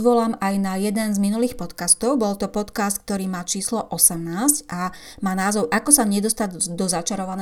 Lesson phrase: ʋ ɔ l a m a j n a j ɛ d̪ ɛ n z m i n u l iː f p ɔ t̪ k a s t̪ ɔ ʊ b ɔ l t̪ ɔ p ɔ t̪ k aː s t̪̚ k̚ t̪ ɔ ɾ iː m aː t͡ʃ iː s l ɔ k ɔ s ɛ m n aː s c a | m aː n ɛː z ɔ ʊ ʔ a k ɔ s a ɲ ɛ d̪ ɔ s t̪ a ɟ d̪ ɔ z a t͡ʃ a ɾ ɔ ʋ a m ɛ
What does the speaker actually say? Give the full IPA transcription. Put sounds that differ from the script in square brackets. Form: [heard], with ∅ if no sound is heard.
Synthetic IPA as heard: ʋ ɔ l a m a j n a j ɛ d̪ ɛ n z m i n u l iː [x] p ɔ t̪ k a s t̪ ɔ ʊ b ɔ l t̪ ɔ p ɔ t̪ k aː s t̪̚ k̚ t̪ ɔ ɾ iː m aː t͡ʃ iː s l ɔ [ʔ] ɔ s ɛ m n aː s c a | m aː n [aː] z ɔ ʊ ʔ a k ɔ s a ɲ ɛ d̪ ɔ s t̪ a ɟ d̪ ɔ z a t͡ʃ a ɾ ɔ ʋ a [n] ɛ